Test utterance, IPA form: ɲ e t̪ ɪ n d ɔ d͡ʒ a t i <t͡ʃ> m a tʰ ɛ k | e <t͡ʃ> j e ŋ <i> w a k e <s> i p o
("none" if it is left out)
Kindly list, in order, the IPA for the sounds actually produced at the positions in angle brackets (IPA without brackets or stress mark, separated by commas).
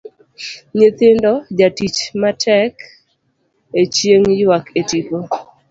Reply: t͡ʃ, t͡ʃ, j, t